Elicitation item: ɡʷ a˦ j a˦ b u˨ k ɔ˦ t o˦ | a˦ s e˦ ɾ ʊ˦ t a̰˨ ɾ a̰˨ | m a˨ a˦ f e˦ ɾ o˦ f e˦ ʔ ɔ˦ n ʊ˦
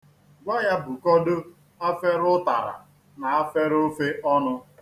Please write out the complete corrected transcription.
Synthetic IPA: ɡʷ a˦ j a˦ b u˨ k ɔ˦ d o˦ | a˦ f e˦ ɾ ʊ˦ t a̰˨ ɾ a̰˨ | n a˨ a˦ f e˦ ɾ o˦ f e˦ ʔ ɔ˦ n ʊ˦